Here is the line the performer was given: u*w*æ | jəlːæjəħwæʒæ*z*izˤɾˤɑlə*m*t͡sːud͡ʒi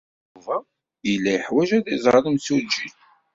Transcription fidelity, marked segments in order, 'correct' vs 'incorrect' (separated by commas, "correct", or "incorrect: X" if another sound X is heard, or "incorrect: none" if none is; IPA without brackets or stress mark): incorrect: v, incorrect: ð, correct